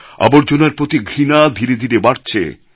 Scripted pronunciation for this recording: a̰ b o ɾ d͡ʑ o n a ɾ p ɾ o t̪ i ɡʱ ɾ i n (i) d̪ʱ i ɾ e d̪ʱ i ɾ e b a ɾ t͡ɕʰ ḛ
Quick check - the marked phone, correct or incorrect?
incorrect